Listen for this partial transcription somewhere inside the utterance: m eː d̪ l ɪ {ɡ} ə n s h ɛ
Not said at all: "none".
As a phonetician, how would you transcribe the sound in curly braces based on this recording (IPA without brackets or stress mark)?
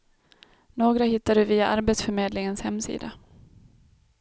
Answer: ŋ